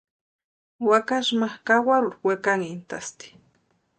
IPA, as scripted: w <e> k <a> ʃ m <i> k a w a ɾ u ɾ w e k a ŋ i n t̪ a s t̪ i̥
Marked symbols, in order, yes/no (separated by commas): no, yes, no